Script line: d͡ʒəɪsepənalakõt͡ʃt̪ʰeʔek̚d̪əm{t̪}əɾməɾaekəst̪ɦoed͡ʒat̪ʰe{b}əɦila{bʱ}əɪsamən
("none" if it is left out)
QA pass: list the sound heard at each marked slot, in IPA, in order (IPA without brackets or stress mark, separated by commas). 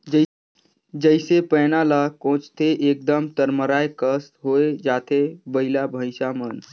t̪, b, bʱ